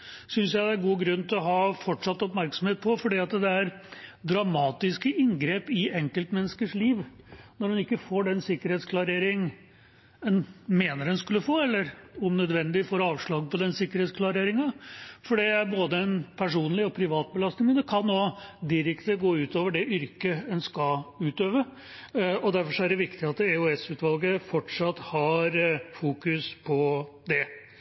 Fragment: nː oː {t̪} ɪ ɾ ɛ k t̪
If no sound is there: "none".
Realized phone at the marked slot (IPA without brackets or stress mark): d̪